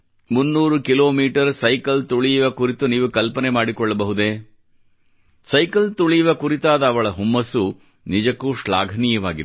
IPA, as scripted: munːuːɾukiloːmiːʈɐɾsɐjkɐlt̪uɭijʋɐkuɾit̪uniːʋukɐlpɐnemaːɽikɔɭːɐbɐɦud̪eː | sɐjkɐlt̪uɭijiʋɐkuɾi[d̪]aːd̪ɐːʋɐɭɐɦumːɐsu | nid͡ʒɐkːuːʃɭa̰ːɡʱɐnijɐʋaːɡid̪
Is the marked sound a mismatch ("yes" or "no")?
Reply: yes